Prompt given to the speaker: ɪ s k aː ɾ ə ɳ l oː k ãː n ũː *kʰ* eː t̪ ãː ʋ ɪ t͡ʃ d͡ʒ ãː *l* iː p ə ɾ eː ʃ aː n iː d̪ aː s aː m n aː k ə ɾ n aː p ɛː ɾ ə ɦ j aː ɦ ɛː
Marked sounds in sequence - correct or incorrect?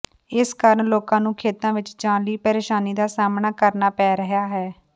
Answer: correct, correct

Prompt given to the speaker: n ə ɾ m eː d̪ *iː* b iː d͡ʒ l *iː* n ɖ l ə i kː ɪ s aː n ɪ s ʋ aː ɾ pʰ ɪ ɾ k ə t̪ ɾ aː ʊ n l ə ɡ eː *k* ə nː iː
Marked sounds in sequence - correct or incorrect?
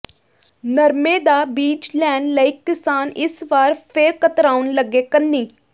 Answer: incorrect, incorrect, correct

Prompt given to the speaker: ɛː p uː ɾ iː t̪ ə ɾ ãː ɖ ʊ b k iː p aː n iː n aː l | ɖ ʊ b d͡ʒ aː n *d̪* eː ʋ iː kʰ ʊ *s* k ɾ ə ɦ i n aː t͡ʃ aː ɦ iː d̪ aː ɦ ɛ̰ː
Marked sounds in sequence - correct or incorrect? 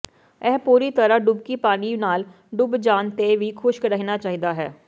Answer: incorrect, incorrect

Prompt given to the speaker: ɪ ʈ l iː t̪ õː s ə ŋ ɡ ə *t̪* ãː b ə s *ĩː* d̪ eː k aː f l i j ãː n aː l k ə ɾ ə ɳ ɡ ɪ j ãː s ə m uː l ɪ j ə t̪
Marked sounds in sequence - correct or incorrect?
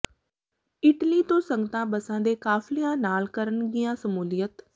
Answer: correct, incorrect

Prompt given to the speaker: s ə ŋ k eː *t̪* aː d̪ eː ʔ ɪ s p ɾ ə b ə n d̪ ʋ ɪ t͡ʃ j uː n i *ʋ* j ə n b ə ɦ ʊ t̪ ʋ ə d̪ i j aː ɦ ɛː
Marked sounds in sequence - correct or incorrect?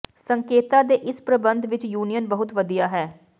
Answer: correct, incorrect

